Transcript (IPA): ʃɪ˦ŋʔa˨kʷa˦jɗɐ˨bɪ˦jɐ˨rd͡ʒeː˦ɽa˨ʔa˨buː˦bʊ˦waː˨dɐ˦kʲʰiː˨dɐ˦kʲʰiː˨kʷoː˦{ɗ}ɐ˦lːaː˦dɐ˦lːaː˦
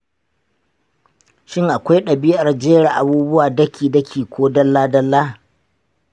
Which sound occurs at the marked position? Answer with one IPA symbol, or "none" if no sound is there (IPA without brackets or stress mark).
d